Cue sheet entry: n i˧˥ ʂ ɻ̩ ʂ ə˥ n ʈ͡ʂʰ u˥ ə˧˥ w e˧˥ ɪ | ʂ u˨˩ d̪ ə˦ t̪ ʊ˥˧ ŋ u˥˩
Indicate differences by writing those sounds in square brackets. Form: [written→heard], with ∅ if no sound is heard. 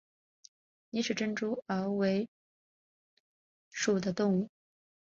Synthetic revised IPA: n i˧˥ ʂ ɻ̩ [ʂ→ʈ͡ʂ] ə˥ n [ʈ͡ʂʰ→ʈ͡ʂ] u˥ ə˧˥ w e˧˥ ɪ | ʂ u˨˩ d̪ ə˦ t̪ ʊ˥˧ ŋ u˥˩